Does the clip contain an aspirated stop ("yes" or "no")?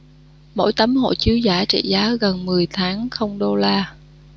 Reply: yes